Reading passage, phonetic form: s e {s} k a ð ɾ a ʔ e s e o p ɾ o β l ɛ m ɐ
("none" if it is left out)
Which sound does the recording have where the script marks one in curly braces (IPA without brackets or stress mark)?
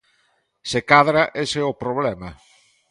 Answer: none